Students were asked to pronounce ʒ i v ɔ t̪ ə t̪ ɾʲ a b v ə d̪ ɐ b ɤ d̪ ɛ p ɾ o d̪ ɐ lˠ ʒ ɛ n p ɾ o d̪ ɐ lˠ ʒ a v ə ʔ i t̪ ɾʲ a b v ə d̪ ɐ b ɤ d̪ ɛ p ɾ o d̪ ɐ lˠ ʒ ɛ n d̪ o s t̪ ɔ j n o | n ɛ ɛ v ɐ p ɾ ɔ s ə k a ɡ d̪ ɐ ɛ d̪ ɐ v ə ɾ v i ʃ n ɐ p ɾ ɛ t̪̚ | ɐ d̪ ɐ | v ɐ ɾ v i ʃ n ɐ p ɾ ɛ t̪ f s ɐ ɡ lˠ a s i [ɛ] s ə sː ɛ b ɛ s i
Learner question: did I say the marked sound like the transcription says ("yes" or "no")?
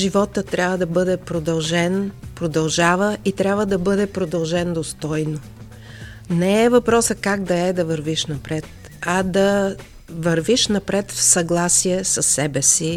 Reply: yes